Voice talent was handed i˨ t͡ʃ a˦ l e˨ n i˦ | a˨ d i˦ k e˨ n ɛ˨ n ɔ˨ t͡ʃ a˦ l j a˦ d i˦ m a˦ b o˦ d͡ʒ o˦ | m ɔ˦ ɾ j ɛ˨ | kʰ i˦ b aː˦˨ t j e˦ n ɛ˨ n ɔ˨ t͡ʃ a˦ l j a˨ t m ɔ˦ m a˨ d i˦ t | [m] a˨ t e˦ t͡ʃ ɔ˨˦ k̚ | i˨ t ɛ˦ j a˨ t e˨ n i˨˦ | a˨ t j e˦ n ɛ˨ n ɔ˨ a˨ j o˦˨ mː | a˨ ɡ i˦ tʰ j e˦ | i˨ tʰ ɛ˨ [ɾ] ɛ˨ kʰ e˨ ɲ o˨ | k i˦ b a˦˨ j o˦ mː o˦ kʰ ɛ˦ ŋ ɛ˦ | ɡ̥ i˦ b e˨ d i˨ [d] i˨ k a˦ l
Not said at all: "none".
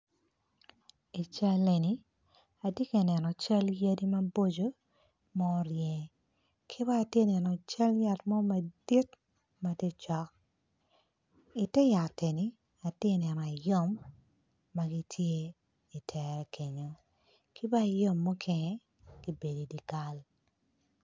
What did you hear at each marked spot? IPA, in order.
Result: m, ɾ, d

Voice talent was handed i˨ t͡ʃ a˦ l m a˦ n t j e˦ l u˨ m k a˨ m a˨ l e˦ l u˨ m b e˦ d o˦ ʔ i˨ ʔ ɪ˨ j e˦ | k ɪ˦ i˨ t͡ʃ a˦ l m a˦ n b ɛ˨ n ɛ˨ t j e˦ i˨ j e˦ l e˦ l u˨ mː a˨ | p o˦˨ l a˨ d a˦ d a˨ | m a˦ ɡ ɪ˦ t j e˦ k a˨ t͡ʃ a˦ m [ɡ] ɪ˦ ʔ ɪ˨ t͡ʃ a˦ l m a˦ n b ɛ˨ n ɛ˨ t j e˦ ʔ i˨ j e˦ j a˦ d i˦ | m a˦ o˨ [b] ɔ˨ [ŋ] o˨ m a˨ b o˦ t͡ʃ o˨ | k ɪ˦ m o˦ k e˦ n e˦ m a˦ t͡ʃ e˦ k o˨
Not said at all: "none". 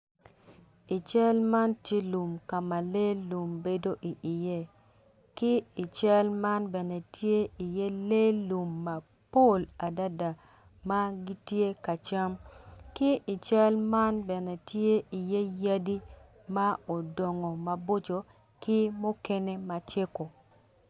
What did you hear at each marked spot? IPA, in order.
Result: k, d, ŋ

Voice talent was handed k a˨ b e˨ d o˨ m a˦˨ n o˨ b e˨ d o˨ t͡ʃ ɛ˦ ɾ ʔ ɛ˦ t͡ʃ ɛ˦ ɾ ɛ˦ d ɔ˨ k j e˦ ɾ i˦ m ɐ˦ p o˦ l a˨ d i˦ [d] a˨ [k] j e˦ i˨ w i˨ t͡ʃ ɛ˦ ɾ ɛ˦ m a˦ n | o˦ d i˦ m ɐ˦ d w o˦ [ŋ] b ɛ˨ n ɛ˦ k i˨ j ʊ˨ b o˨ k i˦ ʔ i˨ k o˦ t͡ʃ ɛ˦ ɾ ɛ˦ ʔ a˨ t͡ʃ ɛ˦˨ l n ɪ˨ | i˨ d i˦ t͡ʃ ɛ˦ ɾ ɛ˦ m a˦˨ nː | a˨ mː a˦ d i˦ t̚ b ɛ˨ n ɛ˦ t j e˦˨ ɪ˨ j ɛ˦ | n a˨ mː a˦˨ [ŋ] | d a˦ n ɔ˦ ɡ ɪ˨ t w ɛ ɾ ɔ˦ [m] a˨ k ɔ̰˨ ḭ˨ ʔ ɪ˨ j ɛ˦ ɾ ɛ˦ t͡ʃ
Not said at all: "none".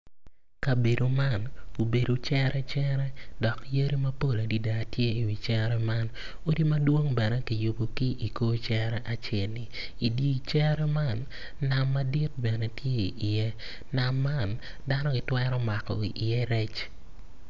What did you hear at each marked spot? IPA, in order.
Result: d, t, ŋ, n, m

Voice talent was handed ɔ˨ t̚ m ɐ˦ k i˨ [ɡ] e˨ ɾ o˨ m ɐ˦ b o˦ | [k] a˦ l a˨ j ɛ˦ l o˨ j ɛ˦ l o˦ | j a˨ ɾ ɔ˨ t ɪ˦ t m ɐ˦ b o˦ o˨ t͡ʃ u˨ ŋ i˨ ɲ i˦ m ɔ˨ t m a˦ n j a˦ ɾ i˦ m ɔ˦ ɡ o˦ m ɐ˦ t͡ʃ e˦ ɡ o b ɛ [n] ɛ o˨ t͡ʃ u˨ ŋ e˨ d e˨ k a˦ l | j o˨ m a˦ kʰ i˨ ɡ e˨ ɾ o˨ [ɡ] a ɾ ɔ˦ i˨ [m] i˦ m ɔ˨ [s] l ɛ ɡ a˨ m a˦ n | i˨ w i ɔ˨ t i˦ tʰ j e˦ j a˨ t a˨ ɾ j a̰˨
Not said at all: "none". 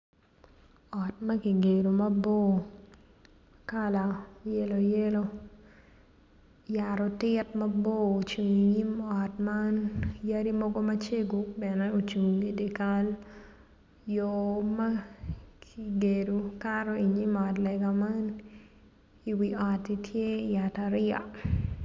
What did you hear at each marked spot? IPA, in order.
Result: ɡ, k, n, k, ɲ, t

